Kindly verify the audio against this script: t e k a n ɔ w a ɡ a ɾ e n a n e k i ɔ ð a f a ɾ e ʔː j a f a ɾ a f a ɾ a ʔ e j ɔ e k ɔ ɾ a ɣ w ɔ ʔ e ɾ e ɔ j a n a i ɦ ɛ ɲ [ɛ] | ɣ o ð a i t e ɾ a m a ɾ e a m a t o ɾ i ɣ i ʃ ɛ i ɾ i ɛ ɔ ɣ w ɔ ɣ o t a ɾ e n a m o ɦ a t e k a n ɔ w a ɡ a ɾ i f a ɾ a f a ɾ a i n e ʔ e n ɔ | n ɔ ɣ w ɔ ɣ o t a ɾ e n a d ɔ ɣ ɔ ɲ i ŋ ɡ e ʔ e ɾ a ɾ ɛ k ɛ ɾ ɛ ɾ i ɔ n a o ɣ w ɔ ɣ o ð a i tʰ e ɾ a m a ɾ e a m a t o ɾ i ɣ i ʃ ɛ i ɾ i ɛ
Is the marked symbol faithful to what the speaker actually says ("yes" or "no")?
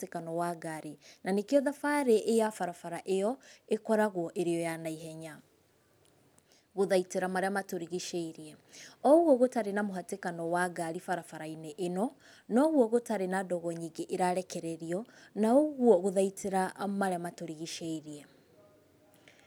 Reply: no